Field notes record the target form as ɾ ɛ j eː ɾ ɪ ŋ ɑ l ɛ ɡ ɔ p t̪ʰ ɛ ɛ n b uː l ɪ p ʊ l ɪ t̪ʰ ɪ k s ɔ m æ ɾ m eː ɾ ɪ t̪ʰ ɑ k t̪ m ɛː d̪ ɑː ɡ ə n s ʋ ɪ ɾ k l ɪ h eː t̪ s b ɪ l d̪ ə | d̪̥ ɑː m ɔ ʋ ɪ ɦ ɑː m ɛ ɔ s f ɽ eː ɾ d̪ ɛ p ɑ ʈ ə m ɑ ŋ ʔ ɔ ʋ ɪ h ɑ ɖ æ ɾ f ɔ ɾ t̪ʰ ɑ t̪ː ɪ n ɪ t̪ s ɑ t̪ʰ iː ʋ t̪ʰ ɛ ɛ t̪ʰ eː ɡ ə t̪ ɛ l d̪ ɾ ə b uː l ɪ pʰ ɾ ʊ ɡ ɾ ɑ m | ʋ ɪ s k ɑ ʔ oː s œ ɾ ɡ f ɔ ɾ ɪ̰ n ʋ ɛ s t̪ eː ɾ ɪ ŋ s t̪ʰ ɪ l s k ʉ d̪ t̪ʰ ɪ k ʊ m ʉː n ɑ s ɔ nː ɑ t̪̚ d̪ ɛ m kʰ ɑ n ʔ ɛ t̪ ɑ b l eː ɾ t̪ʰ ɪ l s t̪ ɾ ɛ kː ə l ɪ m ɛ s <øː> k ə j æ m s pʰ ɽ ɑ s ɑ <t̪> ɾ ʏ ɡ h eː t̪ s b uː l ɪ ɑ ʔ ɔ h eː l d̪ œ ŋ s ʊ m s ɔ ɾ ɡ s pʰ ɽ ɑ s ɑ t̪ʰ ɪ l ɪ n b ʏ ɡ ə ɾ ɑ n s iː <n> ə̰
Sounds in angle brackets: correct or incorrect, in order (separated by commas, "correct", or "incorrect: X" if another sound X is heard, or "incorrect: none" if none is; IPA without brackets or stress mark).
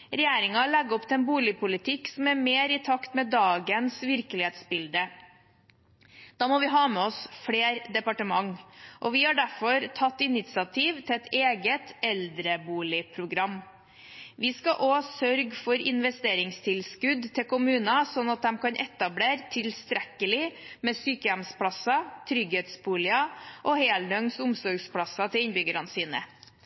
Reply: incorrect: yː, incorrect: t̪ʰ, correct